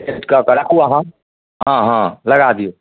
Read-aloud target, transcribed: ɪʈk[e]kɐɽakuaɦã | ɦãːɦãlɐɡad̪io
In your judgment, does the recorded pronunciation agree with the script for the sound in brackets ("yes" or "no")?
no